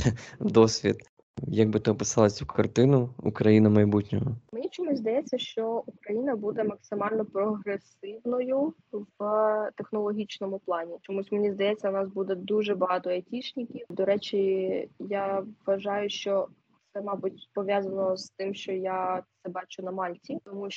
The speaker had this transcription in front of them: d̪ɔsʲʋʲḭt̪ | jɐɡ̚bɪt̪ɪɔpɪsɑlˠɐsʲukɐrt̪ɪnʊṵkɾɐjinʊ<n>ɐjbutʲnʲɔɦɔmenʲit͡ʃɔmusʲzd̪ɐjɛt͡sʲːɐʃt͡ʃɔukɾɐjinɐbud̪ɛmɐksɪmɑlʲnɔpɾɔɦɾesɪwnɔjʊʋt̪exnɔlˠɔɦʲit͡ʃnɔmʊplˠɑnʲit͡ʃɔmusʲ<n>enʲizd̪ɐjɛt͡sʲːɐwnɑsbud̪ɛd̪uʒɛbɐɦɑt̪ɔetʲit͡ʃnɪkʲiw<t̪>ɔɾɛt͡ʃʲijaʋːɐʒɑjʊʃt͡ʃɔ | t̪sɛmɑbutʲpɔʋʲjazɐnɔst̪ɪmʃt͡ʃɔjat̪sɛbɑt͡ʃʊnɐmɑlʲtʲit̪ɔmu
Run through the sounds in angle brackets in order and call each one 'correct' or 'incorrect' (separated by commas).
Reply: incorrect, incorrect, incorrect